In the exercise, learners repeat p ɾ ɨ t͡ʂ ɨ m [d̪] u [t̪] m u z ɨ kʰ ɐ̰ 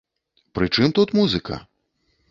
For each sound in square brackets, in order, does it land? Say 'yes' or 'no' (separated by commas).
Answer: no, yes